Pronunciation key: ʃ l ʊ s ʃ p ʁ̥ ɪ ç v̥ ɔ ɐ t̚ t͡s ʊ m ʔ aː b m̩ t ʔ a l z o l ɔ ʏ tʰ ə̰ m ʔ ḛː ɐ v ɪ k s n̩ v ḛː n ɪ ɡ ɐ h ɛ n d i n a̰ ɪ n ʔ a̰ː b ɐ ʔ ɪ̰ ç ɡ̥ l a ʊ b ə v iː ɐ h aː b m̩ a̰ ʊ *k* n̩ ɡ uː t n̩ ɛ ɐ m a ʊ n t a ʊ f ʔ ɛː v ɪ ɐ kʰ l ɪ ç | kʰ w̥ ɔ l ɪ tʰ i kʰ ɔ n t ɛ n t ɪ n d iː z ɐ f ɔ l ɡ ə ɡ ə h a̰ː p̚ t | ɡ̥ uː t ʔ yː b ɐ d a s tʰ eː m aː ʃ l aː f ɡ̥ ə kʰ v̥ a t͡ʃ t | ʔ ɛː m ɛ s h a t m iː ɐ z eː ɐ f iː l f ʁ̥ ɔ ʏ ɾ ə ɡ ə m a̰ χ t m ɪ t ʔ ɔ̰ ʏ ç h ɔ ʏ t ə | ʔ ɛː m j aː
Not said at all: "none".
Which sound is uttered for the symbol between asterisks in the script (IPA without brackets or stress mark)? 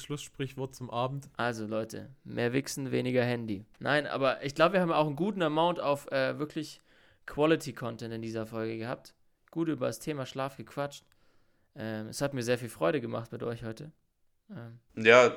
x